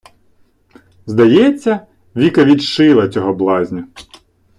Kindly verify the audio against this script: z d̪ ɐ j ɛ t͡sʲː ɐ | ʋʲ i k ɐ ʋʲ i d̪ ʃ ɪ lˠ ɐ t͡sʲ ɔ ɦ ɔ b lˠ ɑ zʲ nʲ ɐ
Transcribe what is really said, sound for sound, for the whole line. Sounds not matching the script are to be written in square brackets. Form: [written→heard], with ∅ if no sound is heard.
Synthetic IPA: z d̪ ɐ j ɛ t͡sʲː ɐ | ʋʲ i k ɐ ʋʲ i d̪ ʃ ɪ lˠ ɐ t͡sʲ ɔ ɦ ɔ b lˠ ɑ zʲ nʲ ɐ